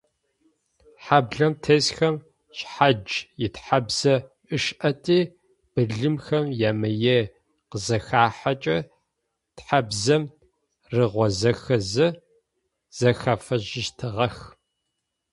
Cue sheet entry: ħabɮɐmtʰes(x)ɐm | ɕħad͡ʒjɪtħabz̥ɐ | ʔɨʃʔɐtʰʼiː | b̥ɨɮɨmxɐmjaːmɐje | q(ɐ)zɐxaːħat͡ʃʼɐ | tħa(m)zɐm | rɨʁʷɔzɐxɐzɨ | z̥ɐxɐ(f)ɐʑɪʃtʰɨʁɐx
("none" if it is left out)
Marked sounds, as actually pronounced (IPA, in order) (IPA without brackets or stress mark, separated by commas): x, ə, b, f